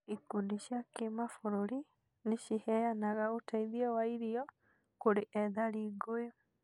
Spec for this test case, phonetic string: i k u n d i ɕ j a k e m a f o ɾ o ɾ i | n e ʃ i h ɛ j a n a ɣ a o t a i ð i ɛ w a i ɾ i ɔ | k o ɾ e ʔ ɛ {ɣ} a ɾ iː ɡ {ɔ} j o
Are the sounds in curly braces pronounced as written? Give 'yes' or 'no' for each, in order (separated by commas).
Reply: no, no